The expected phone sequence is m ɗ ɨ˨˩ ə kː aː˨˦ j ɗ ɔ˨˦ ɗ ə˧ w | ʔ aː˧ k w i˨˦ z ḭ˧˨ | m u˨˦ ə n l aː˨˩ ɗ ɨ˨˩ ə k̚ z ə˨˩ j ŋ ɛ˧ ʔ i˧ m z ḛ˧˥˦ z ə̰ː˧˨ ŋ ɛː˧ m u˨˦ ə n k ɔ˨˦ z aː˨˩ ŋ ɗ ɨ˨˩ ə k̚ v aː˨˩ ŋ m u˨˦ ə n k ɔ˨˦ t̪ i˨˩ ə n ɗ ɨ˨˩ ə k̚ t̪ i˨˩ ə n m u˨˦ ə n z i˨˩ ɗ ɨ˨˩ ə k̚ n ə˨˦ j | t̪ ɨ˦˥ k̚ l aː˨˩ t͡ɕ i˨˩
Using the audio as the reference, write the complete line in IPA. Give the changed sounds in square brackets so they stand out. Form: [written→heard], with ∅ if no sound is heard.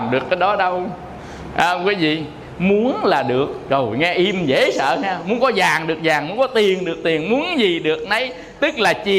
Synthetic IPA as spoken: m ɗ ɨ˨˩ ə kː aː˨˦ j ɗ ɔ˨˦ ɗ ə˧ w | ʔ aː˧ k w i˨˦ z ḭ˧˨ | m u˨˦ ə n l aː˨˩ ɗ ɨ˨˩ ə k̚ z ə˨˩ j ŋ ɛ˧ ʔ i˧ m z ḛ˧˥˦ [z→s] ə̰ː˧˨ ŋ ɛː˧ m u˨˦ ə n k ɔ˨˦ z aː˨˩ ŋ ɗ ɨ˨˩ ə k̚ [v→z] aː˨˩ ŋ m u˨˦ ə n k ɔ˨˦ t̪ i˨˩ ə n ɗ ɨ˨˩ ə k̚ t̪ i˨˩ ə n m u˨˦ ə n z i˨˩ ɗ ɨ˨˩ ə k̚ n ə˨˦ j | t̪ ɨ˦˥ k̚ l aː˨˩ t͡ɕ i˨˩